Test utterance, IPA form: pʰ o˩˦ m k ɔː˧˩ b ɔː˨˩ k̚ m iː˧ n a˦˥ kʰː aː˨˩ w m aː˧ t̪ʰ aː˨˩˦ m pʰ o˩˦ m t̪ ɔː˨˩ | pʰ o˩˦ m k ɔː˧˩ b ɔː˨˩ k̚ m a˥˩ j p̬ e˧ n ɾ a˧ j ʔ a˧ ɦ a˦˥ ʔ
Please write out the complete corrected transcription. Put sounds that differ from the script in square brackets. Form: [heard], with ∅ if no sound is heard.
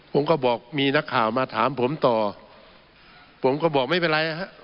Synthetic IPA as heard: pʰ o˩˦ m k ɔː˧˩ b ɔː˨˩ k̚ m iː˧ n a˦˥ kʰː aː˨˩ w m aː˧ t̪ʰ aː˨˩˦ m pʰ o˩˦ m t̪ ɔː˨˩ | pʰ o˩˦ m k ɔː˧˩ b ɔː˨˩ k̚ m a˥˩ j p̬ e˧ n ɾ a˧ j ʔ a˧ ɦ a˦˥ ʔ